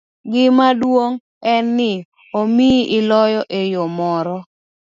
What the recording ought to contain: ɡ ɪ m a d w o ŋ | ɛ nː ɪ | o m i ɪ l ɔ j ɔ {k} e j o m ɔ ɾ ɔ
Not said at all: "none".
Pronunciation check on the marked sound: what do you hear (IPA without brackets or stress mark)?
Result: ʔ